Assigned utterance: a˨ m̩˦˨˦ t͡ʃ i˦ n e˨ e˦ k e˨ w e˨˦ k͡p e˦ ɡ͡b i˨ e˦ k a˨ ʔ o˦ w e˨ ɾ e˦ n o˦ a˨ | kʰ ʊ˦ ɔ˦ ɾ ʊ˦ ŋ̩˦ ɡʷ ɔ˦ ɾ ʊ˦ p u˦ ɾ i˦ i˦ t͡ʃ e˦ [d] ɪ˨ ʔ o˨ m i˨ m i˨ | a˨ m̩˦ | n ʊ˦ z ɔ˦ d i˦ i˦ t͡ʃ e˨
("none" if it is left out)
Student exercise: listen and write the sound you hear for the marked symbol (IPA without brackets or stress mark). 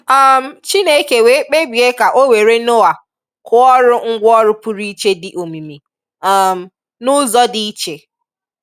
d